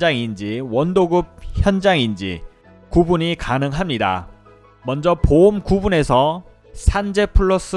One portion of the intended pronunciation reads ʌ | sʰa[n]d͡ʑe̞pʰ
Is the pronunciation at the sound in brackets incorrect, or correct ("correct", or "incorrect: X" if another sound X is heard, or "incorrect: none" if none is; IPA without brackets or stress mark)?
correct